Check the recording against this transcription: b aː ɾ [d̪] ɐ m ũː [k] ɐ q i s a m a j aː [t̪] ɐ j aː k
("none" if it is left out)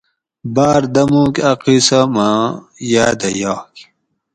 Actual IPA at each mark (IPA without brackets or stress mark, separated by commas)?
d̪, k, d̪